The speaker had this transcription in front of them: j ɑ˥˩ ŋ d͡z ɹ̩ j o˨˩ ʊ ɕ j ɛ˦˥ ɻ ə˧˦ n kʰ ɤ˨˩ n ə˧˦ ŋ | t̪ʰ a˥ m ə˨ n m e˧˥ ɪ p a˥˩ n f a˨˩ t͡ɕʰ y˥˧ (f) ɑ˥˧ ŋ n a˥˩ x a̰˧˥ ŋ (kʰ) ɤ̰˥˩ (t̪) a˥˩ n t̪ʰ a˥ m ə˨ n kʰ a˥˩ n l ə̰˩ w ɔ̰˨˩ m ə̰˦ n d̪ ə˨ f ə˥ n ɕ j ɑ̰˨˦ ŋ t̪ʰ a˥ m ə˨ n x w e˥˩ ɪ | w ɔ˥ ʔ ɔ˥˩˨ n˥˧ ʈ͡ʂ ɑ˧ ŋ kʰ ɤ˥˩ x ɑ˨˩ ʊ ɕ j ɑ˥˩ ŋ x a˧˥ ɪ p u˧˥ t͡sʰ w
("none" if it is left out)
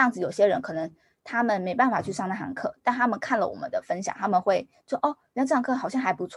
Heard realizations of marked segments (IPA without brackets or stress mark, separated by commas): ʂ, kʰ, t̪